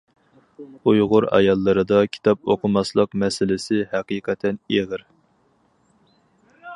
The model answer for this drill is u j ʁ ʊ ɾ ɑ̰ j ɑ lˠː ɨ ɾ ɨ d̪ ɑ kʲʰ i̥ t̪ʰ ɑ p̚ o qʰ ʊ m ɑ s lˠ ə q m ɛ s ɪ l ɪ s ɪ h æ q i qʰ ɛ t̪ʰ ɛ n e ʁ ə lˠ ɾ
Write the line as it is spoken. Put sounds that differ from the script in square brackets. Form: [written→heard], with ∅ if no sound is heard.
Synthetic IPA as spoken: u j ʁ ʊ ɾ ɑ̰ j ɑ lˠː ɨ ɾ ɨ d̪ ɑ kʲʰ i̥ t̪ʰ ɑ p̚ o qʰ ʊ m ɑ s lˠ ə q m ɛ s ɪ l ɪ s ɪ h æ q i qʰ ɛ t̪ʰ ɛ n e ʁ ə [lˠ→∅] ɾ